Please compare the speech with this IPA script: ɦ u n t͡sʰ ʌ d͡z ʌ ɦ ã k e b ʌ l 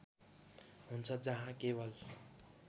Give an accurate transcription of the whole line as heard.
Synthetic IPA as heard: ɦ u n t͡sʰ ʌ d͡z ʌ ɦ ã k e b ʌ l